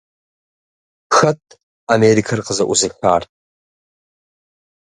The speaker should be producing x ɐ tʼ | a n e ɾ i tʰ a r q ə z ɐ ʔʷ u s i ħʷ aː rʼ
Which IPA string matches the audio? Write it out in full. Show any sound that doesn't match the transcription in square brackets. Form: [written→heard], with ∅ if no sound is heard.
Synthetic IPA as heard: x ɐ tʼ | a [n→m] e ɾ i [tʰ→kʰ] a r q ə z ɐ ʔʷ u [s→z] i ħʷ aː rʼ